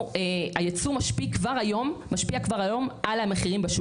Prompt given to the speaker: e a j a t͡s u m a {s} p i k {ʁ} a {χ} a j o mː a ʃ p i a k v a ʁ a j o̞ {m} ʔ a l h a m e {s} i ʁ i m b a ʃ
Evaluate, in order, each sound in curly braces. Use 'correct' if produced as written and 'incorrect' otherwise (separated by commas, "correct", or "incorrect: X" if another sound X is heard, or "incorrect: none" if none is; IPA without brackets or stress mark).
incorrect: ʃ, incorrect: v, incorrect: ʁ, correct, incorrect: χ